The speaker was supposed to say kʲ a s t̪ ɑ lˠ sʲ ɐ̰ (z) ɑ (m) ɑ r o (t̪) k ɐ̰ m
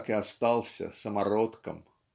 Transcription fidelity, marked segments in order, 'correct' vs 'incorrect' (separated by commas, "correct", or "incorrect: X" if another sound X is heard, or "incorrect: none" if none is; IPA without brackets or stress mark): incorrect: s, correct, correct